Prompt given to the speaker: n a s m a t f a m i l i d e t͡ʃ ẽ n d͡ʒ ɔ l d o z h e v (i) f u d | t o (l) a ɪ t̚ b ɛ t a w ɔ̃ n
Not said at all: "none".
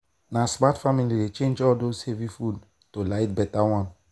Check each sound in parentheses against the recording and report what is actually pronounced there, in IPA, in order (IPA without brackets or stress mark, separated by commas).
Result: i, l